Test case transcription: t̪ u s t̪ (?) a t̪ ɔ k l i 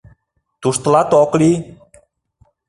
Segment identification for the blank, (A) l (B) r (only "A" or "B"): A